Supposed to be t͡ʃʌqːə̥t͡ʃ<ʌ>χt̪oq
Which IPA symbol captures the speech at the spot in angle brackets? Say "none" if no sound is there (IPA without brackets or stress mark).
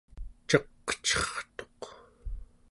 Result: ʌ